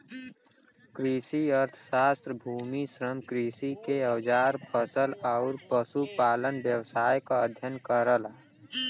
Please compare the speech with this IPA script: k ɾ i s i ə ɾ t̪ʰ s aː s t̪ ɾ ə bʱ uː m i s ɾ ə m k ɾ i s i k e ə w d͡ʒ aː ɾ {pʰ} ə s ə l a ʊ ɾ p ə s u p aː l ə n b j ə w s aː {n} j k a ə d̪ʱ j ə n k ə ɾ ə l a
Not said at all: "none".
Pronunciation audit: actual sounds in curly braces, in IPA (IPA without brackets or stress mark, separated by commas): pʰ, none